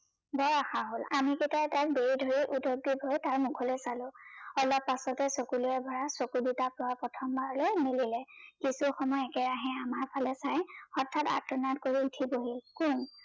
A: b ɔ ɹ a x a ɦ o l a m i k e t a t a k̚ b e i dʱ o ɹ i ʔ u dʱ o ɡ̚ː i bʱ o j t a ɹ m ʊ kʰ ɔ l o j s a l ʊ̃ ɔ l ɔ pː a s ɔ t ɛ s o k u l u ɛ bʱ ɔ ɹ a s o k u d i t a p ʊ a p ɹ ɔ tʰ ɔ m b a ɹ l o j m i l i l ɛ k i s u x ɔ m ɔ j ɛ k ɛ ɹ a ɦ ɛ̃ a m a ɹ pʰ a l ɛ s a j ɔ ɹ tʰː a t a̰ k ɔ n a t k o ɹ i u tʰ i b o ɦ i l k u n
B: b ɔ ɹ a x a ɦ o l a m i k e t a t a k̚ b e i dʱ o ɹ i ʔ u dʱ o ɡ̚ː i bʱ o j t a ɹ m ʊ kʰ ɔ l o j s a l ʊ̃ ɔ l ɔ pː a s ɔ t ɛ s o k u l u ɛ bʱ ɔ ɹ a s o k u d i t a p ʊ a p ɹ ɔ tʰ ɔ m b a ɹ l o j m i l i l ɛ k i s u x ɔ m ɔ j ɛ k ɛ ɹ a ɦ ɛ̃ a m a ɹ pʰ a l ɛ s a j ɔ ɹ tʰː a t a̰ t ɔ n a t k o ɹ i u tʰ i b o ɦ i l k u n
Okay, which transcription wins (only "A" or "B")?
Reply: B